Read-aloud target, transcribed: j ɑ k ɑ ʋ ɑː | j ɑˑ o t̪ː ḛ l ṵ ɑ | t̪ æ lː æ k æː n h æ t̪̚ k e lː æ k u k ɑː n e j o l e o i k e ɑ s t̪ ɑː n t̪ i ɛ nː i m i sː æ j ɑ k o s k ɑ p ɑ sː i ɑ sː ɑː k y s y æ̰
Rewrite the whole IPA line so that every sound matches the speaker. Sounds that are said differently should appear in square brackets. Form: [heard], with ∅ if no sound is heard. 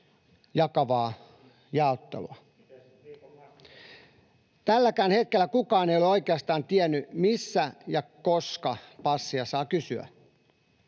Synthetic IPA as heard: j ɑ k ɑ ʋ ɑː | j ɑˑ o t̪ː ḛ l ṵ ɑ | t̪ æ lː æ k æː n h [e] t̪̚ k e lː æ k u k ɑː n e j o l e o i k e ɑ s t̪ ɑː n t̪ i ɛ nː [y] m i sː æ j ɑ k o s k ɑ p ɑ sː i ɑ [s] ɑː k y s y æ̰